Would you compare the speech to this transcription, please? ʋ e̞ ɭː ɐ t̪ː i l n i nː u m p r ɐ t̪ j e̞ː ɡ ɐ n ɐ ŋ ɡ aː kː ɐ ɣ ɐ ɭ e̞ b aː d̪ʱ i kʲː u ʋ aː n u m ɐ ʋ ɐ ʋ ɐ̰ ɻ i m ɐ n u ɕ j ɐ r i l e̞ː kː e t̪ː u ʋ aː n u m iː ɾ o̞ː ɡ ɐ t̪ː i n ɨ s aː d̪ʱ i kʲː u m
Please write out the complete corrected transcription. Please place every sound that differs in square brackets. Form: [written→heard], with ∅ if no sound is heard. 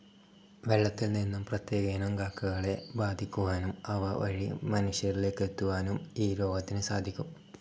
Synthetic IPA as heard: ʋ e̞ ɭː ɐ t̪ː i l n i nː u m p r ɐ t̪ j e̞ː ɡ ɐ n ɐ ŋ ɡ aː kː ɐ ɣ ɐ ɭ e̞ b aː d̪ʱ i kʲː u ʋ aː n u m ɐ ʋ ɐ ʋ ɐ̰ ɻ i m ɐ n u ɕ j ɐ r i l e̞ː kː e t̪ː u ʋ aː n u m iː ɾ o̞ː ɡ ɐ t̪ː i n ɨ s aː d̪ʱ i kʲː u m